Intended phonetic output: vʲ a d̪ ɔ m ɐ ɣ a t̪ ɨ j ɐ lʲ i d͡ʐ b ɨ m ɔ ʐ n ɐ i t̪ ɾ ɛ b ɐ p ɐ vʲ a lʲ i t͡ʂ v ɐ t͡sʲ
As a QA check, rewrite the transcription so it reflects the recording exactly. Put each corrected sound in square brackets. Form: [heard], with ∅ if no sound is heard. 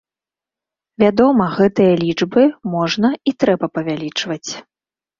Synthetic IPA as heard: vʲ a d̪ ɔ m ɐ ɣ [ɛ] t̪ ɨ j ɐ lʲ i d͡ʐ b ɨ m ɔ ʐ n ɐ i t̪ ɾ ɛ b ɐ p ɐ vʲ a lʲ i t͡ʂ v ɐ t͡sʲ